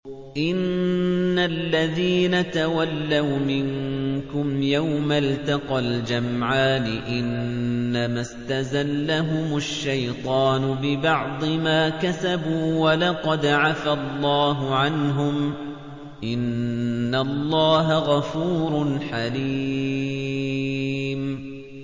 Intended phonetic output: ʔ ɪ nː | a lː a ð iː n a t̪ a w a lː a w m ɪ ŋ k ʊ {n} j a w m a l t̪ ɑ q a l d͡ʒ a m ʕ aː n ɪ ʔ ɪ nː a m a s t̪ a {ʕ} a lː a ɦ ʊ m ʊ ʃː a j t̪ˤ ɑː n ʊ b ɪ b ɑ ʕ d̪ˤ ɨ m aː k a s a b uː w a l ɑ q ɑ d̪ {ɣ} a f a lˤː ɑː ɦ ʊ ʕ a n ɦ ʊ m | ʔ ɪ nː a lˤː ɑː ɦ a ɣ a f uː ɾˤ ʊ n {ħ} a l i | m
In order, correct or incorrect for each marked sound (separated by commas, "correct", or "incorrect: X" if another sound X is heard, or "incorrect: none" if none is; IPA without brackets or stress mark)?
incorrect: m, incorrect: z, incorrect: ʕ, correct